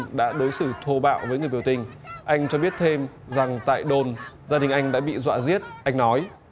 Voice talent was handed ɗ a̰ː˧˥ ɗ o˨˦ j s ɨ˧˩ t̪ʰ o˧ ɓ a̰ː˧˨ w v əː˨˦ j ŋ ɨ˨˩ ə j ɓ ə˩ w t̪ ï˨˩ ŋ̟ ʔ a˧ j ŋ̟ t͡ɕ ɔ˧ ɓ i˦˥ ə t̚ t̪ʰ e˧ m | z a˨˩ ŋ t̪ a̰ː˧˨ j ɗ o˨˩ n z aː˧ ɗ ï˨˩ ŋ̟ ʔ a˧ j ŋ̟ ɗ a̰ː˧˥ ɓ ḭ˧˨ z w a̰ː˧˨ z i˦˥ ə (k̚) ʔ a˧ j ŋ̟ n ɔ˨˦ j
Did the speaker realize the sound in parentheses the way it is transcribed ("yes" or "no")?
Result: no